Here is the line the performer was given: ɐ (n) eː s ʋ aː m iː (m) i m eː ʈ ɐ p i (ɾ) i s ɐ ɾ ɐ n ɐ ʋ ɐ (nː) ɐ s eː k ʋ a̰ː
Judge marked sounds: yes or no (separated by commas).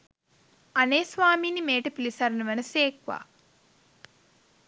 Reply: yes, no, no, no